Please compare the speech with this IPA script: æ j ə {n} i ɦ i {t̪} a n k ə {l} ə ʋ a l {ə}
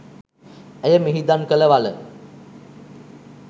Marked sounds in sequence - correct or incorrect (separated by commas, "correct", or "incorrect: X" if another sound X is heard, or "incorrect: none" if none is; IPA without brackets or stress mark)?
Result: incorrect: m, incorrect: d̪, correct, correct